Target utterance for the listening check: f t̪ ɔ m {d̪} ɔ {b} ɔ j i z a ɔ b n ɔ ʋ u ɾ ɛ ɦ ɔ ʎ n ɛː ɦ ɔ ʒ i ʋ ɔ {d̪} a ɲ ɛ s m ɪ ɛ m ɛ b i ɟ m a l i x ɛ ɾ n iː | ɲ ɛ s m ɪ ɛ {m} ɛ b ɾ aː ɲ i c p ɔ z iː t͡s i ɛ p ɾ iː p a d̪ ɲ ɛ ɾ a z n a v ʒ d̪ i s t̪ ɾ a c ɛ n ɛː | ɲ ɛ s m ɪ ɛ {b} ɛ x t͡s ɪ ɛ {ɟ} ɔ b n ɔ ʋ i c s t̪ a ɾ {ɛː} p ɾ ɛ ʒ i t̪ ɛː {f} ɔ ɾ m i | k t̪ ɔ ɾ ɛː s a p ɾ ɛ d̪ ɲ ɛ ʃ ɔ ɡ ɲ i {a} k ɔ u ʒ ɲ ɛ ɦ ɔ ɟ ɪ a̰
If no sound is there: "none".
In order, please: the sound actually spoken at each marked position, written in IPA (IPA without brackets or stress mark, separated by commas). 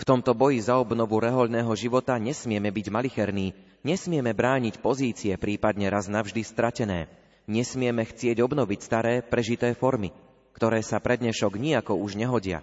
t̪, b, t̪, m, m, ɟ, ɛː, f, a